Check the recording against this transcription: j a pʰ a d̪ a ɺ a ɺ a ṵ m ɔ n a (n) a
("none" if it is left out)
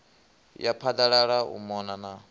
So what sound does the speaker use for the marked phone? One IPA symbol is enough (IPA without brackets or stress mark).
n